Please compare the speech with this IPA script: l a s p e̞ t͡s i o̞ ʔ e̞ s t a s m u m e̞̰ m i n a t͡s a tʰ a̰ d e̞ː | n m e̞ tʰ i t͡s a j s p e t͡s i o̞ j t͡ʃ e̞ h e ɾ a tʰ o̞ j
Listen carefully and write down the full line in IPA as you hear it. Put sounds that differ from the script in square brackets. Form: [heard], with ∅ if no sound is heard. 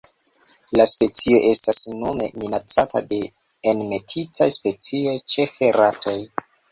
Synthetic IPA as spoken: l a s p e̞ t͡s i o̞ ʔ e̞ s t a s [n] u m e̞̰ m i n a t͡s a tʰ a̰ d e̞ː | n m e̞ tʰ i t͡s a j s p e t͡s i o̞ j t͡ʃ e̞ [f] e ɾ a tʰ o̞ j